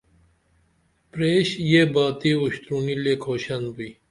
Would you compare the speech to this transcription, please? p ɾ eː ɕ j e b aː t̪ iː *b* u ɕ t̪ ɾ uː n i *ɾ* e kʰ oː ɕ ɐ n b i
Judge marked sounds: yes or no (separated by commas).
no, no